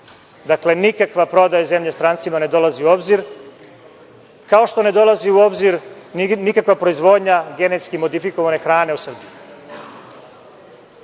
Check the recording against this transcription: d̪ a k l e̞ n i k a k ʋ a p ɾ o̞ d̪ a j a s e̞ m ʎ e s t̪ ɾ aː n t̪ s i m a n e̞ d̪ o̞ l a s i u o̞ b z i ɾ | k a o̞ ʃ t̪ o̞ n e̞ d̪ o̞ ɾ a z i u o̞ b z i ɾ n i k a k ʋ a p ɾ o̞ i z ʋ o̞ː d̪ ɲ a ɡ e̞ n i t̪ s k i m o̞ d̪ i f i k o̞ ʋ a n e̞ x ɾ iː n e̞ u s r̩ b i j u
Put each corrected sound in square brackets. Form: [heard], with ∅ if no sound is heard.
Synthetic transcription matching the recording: d̪ a k l e̞ n i k a k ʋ a p ɾ o̞ d̪ a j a [z] e̞ m ʎ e s t̪ ɾ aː n t̪ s i m a n e̞ d̪ o̞ l a [z] i u o̞ b z i ɾ | k a o̞ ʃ t̪ o̞ n e̞ d̪ o̞ [l] a z i u o̞ b z i ɾ n i k a k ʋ a p ɾ o̞ i z ʋ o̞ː d̪ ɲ a ɡ e̞ n [e] t̪ s k i m o̞ d̪ i f i k o̞ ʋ a n e̞ x ɾ [aː] n e̞ u s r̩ b i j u